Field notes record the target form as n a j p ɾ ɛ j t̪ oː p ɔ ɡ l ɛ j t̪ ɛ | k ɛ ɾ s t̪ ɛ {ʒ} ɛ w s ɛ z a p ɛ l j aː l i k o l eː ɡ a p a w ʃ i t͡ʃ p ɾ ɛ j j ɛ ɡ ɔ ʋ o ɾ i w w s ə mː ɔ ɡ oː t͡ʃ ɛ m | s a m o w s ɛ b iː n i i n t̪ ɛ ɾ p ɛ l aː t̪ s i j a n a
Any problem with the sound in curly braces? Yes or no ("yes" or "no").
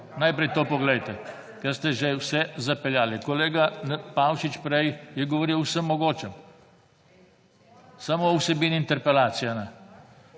no